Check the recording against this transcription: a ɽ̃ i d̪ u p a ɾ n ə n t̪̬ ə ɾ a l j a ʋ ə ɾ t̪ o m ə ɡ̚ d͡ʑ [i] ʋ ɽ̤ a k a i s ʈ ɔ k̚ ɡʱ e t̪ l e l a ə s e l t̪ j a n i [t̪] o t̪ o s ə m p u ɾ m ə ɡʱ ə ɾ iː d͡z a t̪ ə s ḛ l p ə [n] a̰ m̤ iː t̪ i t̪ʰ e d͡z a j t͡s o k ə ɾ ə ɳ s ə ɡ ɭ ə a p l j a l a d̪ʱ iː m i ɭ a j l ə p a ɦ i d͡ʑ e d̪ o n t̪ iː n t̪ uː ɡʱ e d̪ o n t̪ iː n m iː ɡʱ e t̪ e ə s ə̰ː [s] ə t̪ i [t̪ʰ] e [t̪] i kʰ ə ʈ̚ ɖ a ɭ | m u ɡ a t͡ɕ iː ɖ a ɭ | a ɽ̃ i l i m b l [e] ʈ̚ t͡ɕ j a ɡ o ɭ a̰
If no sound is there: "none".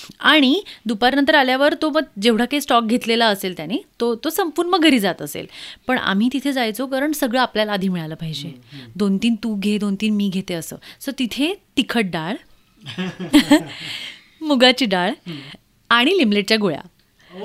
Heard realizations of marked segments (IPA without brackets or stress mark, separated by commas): e, t̪, ɳ, s, t̪ʰ, t̪, e